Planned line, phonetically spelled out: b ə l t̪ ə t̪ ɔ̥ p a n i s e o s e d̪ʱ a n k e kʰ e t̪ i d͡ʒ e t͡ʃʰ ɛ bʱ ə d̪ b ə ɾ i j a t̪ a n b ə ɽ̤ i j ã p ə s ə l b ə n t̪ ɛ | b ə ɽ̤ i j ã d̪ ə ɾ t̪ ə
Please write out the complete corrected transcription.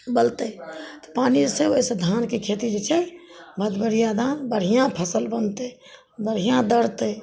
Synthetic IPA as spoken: b ə l t̪ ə t̪ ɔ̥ p a n i s e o s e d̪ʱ a n k e kʰ e t̪ i d͡ʒ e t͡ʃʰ ɛ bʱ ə d̪ b ə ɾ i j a d̪ a n b ə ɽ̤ i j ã pʰ ə s ə l b ə n t̪ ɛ | b ə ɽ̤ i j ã d̪ ə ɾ t̪ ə